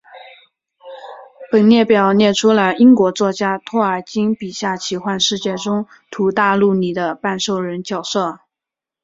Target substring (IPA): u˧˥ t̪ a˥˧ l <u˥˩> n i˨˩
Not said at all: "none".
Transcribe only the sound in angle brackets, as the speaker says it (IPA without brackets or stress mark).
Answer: u˥˩